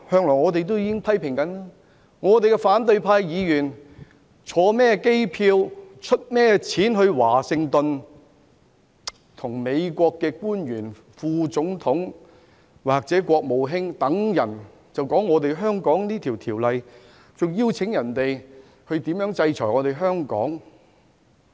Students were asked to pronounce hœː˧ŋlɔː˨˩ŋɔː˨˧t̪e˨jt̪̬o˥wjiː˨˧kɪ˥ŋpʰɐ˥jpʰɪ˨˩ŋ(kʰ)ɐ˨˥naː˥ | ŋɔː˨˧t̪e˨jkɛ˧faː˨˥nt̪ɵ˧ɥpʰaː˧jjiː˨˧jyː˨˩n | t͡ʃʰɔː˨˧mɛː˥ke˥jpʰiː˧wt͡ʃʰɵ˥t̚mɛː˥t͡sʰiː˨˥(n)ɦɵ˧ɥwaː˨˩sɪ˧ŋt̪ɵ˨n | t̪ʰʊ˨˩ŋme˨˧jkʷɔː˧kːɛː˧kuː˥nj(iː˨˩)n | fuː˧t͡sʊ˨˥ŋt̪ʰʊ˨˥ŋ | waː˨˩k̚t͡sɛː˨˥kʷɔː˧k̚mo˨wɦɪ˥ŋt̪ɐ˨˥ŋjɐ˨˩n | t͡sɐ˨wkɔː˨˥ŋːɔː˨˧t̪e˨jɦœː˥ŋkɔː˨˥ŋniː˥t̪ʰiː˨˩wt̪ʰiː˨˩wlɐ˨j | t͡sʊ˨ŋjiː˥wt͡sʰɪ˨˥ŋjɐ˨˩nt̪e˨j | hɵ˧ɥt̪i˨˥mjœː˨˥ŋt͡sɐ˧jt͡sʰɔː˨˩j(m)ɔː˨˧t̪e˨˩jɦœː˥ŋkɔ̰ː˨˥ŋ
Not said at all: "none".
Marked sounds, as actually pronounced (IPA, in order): k, n, yː˨˩, ŋ

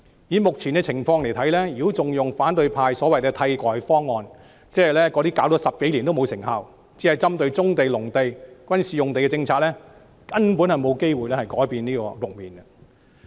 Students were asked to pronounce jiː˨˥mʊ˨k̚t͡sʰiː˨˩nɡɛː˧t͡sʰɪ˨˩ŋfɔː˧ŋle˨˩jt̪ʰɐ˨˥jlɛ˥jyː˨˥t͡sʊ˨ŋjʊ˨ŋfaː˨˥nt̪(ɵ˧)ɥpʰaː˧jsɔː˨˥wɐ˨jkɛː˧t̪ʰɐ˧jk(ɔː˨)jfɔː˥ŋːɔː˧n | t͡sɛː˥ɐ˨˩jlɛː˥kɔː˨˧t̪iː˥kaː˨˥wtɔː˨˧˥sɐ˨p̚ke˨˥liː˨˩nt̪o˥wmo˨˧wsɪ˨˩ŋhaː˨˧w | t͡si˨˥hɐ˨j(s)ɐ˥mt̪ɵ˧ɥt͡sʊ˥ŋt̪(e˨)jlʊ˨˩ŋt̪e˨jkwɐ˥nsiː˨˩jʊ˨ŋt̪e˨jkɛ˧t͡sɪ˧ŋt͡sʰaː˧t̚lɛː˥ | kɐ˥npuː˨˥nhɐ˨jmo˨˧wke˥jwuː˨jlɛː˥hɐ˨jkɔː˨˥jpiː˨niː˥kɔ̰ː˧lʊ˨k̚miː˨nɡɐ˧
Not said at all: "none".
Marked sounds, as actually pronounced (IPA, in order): ɵ˧, ɔː˨, t͡s, e˨

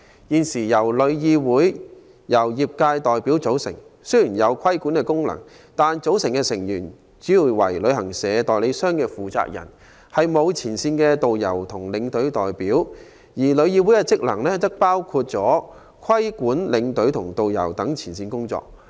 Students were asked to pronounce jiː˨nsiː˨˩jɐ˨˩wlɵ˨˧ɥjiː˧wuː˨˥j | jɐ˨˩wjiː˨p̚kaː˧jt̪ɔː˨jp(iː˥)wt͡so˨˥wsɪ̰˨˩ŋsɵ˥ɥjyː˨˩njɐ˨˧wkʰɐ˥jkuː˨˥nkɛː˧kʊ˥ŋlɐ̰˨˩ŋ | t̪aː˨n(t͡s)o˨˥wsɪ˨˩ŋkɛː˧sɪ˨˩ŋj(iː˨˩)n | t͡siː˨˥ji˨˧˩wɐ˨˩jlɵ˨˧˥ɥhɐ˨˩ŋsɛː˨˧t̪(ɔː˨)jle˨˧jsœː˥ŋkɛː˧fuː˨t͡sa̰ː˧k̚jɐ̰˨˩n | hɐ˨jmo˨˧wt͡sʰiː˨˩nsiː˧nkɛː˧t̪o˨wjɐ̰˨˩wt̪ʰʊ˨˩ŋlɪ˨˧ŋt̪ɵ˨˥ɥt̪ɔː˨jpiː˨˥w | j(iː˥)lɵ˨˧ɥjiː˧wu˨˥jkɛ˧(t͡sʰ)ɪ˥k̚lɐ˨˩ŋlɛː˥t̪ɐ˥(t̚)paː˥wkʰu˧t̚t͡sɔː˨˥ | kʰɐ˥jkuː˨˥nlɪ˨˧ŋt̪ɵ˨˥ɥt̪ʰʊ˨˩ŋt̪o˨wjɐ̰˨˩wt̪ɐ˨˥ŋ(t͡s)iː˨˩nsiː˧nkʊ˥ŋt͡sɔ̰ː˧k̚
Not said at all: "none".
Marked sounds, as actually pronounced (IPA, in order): iː˨˥, t͡s, yː˨˩, ɔː˨, iː˨˩, t͡s, k̚, t͡sʰ

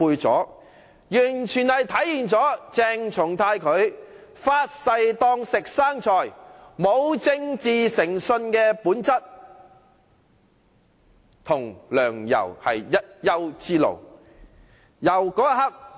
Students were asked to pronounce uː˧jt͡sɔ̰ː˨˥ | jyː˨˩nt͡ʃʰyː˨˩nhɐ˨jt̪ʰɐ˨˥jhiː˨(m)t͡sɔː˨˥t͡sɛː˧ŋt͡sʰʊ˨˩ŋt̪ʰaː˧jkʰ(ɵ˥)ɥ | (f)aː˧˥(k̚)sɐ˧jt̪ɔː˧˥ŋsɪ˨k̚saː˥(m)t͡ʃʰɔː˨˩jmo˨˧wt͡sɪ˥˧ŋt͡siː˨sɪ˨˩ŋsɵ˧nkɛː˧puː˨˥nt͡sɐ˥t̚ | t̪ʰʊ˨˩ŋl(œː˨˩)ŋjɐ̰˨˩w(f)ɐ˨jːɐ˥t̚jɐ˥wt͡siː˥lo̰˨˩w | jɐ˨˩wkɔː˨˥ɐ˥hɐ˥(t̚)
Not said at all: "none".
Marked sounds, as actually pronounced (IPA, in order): n, ɵ˨˧, f, t̚, ŋ, œː˨˩, h, k̚

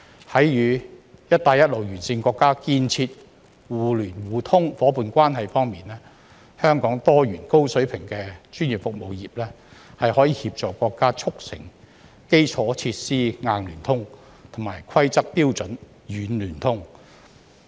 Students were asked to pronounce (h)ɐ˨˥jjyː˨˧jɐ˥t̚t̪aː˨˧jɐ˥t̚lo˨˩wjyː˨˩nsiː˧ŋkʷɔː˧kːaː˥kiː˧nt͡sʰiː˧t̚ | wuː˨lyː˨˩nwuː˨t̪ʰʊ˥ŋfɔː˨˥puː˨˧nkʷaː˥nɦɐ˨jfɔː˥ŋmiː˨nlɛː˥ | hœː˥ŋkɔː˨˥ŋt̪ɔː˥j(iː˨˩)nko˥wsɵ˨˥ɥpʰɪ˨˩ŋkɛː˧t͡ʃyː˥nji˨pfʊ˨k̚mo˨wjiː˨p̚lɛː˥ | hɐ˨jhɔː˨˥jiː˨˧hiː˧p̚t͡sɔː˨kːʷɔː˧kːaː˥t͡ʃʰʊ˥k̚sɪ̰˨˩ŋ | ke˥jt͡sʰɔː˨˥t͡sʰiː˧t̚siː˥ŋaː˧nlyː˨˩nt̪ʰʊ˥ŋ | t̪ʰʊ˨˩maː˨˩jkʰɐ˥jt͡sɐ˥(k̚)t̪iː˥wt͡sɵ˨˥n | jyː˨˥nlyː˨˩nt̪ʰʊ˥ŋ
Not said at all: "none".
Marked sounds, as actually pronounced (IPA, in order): h, yː˨˩, k̚

